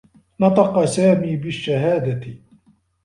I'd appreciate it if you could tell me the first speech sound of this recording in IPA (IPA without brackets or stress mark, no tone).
n